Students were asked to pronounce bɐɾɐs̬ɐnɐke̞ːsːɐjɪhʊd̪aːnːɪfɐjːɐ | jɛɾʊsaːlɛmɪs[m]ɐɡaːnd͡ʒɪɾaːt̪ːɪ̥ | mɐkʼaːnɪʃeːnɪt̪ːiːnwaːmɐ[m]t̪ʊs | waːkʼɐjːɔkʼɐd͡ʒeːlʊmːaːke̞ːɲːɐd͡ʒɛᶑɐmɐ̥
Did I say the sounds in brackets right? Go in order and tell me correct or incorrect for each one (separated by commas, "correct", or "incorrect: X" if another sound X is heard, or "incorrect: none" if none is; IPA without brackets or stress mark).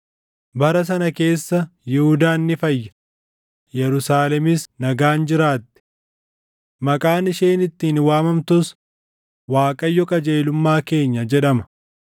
incorrect: n, correct